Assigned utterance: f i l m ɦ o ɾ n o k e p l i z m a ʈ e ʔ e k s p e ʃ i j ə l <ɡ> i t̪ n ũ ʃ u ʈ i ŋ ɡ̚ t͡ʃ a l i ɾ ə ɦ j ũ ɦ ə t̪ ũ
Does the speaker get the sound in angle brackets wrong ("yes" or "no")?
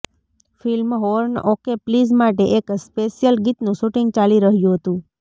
no